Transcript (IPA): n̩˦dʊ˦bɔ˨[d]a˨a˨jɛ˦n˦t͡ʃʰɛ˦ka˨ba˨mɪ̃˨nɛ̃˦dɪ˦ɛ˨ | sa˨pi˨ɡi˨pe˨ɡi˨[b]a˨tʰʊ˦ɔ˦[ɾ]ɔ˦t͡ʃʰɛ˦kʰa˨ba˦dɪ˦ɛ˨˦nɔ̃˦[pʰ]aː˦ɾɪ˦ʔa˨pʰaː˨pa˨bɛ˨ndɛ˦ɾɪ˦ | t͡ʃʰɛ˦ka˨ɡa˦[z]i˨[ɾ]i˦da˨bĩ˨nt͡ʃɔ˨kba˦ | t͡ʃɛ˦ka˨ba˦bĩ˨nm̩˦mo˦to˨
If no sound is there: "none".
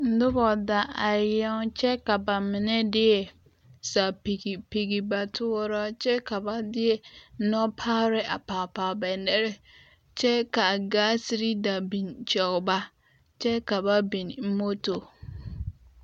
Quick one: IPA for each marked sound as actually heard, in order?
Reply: d, b, ɾ, pʰ, s, ɾ

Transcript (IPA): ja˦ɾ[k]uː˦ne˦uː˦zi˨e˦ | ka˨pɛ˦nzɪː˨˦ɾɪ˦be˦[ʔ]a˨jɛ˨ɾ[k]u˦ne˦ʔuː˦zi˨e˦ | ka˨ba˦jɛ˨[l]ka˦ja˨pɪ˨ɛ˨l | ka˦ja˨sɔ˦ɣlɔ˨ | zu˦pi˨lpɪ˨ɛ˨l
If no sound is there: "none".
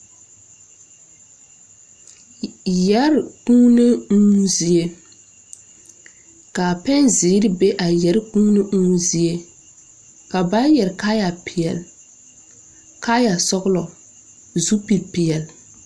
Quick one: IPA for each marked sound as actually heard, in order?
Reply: k, ʔ, k, ɾ

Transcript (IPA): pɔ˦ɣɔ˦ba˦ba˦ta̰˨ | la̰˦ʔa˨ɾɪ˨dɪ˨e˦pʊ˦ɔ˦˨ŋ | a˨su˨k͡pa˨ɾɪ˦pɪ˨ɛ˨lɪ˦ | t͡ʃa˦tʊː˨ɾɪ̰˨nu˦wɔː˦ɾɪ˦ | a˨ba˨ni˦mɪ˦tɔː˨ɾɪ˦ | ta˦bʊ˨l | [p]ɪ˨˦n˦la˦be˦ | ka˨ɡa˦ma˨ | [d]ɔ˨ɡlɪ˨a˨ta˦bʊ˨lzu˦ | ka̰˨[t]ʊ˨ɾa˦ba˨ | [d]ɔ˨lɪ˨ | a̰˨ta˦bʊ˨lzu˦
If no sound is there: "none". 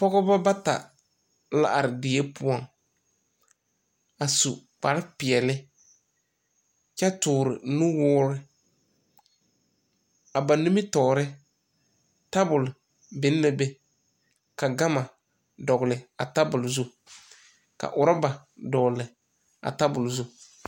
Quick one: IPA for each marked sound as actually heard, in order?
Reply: b, d, ʔ, d

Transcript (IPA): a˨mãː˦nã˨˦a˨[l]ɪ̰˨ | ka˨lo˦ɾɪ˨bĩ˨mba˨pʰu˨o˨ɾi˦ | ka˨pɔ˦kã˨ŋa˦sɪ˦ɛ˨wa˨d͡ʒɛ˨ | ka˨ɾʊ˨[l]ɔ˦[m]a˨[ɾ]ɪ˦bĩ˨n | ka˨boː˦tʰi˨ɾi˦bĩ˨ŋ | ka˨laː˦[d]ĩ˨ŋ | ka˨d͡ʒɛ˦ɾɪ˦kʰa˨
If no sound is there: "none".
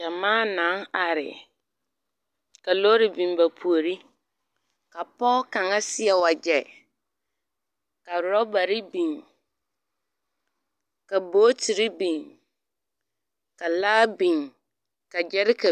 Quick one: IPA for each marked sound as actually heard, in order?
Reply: ɾ, ɾ, b, ɾ, b

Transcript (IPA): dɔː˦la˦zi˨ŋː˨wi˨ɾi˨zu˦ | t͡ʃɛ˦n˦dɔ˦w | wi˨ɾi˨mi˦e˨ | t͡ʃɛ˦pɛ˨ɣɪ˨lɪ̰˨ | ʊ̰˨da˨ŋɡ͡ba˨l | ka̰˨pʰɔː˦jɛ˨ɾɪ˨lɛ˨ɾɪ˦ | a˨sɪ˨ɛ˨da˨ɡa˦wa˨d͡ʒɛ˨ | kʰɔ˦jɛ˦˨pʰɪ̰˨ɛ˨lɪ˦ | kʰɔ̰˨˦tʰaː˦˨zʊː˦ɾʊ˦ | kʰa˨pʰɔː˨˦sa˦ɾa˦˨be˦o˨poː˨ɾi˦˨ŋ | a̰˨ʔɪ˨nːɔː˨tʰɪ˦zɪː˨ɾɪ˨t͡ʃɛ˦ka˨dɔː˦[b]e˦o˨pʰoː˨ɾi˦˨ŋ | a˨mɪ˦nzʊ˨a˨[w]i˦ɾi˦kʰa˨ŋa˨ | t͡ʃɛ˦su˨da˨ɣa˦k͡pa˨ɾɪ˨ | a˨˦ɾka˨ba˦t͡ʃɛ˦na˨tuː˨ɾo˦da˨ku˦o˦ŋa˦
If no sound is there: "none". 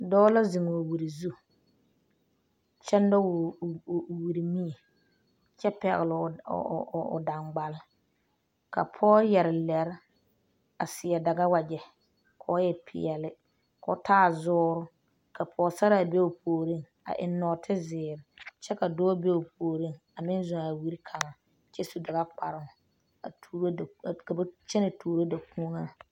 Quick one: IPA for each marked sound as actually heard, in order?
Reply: b, w

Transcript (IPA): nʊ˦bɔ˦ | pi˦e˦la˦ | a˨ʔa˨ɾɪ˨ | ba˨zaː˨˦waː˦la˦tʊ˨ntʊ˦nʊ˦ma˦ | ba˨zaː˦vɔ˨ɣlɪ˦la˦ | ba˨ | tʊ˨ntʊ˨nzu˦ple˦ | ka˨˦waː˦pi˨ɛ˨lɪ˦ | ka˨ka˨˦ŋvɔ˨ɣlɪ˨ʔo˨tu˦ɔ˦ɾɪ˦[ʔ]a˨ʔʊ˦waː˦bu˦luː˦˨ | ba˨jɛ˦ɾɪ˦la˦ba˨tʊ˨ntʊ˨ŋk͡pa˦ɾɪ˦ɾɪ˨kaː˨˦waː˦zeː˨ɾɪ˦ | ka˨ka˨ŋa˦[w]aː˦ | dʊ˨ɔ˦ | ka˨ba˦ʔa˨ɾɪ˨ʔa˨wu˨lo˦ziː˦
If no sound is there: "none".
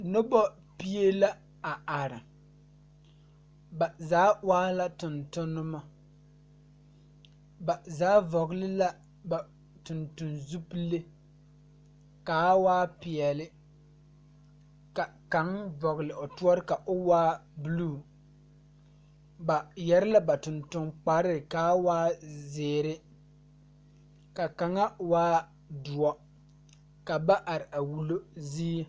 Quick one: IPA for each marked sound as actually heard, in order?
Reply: k, w

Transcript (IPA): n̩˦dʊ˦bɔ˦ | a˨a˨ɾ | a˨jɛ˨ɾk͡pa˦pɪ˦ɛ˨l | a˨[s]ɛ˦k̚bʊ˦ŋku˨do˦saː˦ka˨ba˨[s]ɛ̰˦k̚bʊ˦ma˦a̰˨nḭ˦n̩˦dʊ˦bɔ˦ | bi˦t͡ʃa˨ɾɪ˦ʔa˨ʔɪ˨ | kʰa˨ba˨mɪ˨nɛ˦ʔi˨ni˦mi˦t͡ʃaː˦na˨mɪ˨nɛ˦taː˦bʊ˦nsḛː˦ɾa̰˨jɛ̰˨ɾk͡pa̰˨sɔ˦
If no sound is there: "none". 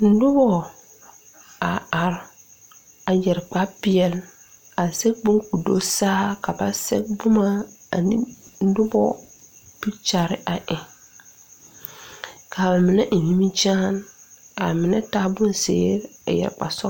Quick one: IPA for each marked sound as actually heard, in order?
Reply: s, s

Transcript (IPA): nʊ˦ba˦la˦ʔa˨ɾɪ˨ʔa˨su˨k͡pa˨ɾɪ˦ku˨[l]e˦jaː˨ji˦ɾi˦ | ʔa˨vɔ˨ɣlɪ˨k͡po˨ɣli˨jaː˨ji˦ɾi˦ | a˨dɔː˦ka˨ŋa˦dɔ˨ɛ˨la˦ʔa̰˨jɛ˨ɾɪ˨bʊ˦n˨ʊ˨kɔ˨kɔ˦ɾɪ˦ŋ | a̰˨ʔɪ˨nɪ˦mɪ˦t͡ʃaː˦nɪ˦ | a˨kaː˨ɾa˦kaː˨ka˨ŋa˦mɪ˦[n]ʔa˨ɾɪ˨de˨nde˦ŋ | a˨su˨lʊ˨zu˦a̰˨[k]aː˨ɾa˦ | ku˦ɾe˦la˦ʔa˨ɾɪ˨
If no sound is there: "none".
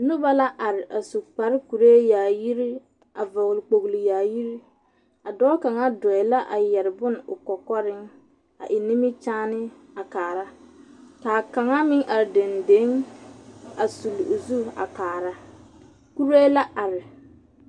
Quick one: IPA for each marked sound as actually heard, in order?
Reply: ɾ, ŋ, k

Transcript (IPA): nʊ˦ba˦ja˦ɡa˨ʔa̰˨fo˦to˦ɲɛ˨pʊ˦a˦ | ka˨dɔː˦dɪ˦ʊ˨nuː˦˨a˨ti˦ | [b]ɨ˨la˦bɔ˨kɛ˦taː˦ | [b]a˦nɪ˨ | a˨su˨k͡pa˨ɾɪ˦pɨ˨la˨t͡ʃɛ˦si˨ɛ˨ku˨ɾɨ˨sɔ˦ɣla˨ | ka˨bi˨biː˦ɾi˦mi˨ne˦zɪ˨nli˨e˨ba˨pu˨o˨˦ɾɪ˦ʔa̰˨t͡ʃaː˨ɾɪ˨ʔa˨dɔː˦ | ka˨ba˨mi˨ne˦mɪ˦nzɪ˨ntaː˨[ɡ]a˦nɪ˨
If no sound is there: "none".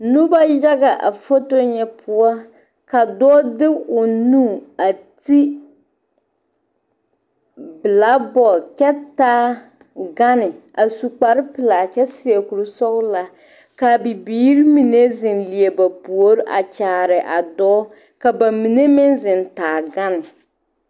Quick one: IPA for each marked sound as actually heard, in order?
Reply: b, ɡ, ɡ

